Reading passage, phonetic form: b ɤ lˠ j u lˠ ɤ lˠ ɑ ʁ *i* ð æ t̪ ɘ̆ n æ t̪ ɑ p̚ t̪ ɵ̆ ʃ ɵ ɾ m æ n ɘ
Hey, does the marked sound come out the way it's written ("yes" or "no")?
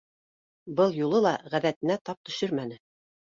no